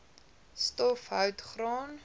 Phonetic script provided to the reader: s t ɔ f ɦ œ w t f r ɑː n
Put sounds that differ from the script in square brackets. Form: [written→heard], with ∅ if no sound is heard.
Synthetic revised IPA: s t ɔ f ɦ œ w t [f→χ] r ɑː n